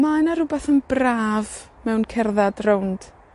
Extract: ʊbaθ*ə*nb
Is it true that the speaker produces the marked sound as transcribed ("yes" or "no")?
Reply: yes